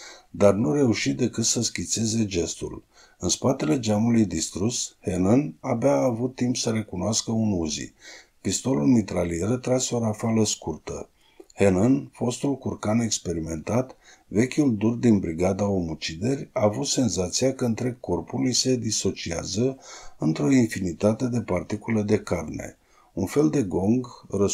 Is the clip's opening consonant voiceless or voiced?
voiced